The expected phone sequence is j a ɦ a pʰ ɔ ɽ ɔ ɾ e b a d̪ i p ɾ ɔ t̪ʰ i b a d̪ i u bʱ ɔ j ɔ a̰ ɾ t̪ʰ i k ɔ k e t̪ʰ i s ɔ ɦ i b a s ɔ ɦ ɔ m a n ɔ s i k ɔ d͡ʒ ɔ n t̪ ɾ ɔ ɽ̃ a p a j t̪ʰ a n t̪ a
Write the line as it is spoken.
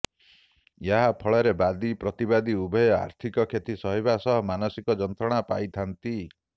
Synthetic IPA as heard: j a ɦ a pʰ ɔ ɭ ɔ ɾ e b a d̪ i p ɾ ɔ t̪ i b a d̪ i u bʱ ɔ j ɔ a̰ ɾ t̪ʰ i k ɔ kʰ e t̪ i s ɔ ɦ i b a s ɔ ɦ ɔ m a n ɔ s i k ɔ d͡ʒ ɔ n t̪ ɾ ɔ ɽ̃ a p a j t̪ʰ a n t̪ i